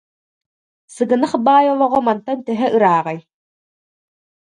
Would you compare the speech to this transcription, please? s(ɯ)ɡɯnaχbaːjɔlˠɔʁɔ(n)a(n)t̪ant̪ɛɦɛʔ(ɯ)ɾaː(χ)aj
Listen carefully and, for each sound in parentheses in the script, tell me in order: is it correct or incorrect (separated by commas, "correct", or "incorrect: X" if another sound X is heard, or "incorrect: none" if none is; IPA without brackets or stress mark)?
correct, incorrect: m, correct, correct, incorrect: ʁ